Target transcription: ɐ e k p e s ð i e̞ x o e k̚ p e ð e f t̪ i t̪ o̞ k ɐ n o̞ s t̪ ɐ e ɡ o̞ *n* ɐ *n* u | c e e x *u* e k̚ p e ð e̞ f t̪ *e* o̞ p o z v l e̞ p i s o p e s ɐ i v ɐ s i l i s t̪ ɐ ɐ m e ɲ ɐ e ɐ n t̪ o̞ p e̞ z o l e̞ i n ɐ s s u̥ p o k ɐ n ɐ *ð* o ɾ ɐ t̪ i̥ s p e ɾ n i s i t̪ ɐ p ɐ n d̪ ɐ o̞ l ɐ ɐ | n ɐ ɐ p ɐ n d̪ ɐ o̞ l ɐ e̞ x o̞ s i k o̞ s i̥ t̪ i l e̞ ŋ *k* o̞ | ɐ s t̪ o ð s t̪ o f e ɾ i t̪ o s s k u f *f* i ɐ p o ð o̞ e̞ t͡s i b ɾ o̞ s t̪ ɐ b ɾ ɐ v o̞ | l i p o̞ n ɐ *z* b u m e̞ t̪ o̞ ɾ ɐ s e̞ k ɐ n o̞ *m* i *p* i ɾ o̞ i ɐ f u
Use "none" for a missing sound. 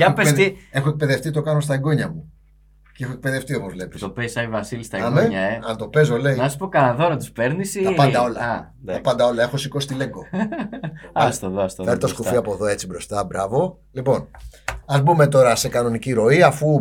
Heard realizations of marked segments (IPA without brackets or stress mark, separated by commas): ɲ, m, o, i, ð, ɡ, f, z, n, c